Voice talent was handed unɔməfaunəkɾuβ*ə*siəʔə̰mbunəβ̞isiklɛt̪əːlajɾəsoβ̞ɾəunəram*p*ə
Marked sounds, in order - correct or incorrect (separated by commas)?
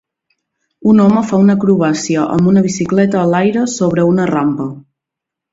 incorrect, correct